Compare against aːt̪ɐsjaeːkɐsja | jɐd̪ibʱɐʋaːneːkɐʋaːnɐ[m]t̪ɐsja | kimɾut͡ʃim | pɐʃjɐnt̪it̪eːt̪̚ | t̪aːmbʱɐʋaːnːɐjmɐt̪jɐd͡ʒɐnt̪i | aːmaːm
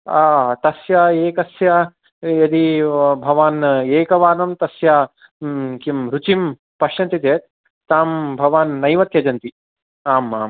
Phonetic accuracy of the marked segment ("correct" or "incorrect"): correct